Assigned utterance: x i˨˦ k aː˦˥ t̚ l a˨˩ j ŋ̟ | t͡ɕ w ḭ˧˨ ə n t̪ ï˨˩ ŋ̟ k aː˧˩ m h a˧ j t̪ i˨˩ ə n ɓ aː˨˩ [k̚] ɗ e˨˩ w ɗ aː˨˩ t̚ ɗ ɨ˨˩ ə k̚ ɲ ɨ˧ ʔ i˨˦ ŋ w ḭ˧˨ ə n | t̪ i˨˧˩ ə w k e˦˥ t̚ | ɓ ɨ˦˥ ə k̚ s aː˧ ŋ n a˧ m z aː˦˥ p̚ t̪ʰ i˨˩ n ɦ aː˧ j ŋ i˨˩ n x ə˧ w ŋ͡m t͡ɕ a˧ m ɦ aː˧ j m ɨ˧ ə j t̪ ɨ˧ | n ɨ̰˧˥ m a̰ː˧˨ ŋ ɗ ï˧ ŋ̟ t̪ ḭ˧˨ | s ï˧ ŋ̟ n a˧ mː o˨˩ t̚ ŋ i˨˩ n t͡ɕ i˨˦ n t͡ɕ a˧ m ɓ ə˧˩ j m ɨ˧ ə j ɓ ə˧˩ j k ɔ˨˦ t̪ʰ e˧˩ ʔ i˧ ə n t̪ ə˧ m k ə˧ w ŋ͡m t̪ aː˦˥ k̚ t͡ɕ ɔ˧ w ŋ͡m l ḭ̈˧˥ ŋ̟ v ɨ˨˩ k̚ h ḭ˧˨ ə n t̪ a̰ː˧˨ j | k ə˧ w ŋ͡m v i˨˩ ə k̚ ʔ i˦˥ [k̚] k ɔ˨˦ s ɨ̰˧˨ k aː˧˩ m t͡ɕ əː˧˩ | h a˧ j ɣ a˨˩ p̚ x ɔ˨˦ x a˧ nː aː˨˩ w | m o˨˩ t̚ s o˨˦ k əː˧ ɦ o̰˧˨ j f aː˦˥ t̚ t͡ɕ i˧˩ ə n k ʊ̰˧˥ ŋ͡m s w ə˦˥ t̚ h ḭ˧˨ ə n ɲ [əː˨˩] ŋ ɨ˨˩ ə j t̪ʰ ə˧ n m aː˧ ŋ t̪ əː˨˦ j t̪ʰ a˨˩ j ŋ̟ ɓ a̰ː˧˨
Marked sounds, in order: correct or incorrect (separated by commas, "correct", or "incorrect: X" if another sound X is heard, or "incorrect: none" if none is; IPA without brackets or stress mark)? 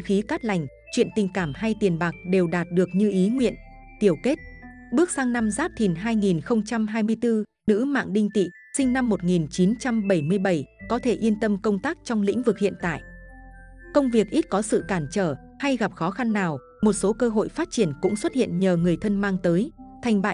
correct, incorrect: t̚, correct